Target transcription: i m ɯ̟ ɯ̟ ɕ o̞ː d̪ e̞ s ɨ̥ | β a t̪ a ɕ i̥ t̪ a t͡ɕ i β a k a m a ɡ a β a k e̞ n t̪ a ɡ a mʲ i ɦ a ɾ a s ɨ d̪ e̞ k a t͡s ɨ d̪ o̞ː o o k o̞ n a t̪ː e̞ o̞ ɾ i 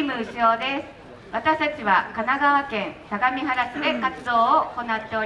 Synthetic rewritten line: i m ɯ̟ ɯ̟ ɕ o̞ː d̪ e̞ s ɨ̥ | β a t̪ a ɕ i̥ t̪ a t͡ɕ i β a k a n a ɡ a β a k ẽ̞ n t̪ a ɡ a mʲ i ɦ a ɾ a s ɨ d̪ e̞ k a t͡s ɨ d̪ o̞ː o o k o̞ n a t̪ː e̞ o̞ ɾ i

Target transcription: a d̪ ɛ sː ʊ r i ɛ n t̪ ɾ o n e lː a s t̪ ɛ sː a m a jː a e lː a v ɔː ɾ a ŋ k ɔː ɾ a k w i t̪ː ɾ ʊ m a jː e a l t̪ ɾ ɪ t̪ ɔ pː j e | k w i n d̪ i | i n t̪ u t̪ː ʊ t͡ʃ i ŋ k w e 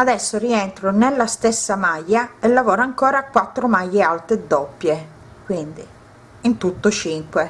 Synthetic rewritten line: a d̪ ɛ sː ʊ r i ɛ n t̪ ɾ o n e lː a s t̪ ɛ sː a m a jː a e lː a v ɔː ɾ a ŋ k ɔː ɾ a k w a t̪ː ɾ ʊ m a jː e a l t̪ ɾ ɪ d̪ ɔ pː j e | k w i n d̪ i | i n t̪ u t̪ː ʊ t͡ʃ i ŋ k w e

